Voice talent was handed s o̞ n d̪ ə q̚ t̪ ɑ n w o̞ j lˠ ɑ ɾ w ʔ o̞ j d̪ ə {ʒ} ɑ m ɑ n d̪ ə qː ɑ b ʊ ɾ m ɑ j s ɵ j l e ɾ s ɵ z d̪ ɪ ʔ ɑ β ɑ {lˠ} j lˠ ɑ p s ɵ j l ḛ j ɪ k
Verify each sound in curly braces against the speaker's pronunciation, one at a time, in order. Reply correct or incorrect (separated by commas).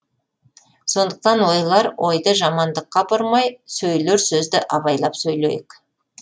correct, incorrect